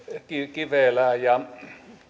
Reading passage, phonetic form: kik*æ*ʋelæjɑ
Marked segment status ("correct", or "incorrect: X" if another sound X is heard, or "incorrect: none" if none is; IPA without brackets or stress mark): incorrect: i